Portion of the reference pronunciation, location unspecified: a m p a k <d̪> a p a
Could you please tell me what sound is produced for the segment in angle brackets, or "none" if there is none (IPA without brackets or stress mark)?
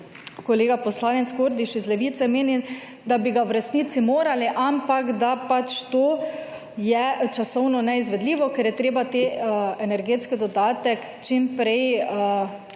d̪